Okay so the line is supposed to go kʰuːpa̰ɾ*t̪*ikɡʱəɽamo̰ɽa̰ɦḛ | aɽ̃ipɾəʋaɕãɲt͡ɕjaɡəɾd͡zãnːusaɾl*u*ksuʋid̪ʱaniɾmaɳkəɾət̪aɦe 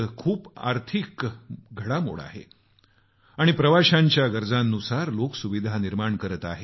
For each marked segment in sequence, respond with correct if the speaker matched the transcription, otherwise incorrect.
incorrect: t̪ʰ, incorrect: o

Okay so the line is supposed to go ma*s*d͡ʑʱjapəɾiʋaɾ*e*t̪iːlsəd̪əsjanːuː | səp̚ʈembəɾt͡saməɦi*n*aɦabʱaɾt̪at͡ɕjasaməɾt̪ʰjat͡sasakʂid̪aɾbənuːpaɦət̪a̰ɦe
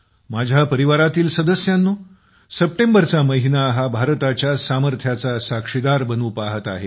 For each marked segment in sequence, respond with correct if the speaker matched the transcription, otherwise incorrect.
incorrect: none, incorrect: a, correct

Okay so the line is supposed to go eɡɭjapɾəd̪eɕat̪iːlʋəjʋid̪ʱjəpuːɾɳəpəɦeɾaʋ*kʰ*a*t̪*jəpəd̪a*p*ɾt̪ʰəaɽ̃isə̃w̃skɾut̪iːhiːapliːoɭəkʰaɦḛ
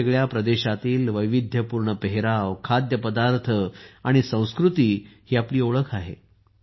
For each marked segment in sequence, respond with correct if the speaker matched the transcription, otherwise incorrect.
correct, incorrect: d̪, incorrect: none

